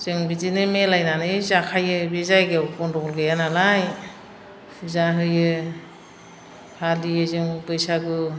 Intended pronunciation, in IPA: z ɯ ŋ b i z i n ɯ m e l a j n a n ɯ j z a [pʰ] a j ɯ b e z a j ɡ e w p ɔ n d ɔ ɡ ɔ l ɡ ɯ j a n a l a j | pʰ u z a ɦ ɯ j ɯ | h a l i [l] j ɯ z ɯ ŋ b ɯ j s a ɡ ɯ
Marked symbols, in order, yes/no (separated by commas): no, no